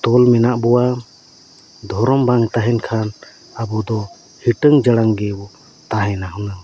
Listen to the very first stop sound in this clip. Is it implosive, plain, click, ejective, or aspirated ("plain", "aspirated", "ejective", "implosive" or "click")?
plain